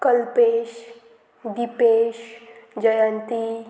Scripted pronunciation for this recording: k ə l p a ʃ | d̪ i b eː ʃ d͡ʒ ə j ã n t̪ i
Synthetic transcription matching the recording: k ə l p e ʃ | d̪ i p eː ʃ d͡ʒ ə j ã n t̪ i